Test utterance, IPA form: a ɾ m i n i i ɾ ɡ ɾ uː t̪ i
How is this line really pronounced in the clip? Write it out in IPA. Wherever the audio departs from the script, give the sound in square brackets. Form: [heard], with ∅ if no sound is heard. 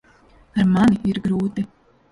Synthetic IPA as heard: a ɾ m [a] n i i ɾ ɡ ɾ uː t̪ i